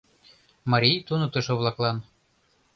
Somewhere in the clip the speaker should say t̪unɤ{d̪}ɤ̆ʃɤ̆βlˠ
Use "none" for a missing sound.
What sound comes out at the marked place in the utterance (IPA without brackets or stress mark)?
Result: t̪